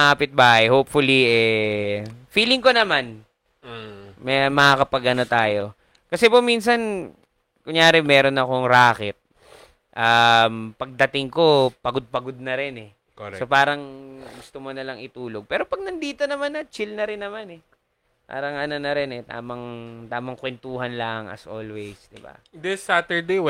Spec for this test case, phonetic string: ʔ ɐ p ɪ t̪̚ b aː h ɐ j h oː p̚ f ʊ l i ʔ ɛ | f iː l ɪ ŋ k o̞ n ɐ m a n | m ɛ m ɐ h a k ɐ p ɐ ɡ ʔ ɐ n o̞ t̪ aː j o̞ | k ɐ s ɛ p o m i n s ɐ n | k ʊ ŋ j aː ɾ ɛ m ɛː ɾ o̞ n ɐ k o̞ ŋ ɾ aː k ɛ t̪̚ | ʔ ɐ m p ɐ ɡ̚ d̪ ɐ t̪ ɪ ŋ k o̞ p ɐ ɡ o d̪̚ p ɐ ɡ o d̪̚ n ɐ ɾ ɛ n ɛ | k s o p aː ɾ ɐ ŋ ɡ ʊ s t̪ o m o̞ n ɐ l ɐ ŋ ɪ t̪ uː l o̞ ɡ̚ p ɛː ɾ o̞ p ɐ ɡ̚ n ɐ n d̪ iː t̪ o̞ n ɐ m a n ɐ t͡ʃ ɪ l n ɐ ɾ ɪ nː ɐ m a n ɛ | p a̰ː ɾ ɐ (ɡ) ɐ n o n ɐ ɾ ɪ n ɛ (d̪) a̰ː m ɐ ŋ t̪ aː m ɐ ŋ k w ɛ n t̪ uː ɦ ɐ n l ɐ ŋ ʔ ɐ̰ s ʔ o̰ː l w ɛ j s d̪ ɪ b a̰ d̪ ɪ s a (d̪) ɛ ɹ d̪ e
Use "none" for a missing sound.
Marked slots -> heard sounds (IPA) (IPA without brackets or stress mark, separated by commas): ŋ, t̪, t̪